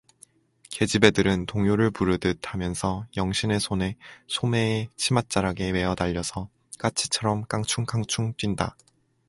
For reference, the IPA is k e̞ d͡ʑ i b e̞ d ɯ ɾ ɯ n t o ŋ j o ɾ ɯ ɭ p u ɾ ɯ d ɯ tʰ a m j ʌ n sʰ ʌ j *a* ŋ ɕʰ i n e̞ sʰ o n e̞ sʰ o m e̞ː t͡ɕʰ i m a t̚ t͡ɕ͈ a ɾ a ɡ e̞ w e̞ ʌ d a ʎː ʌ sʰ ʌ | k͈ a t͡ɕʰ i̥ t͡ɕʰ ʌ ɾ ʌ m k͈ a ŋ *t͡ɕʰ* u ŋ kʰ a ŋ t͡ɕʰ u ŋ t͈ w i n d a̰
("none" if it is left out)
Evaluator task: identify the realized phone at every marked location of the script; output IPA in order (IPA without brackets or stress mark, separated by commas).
ʌ, t͡ɕʰ